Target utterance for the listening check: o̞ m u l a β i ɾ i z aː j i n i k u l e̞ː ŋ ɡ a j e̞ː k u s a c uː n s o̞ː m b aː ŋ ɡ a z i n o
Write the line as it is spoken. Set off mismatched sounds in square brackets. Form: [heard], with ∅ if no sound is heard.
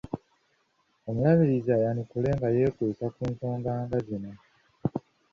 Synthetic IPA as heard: o̞ m u l a β i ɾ i z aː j [a] n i k u l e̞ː ŋ ɡ a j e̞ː k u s a [k] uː n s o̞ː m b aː ŋ ɡ a z i n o